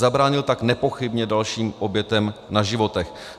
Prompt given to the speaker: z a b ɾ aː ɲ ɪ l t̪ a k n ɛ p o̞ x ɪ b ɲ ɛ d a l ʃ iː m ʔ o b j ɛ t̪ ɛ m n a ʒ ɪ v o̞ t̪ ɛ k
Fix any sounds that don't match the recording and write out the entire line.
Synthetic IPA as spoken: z a b ɾ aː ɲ ɪ l t̪ a k n ɛ p o̞ x ɪ b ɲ ɛ d a l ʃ iː m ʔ o b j ɛ t̪ ɛ m n a ʒ ɪ v o̞ t̪ ɛ x